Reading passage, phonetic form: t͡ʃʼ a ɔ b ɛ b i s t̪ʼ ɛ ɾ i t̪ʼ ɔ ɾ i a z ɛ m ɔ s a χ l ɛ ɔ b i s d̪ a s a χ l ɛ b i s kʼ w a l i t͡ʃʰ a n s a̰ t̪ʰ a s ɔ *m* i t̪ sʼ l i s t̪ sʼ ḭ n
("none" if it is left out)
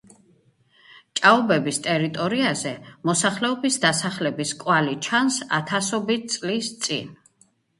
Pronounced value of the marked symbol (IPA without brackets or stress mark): b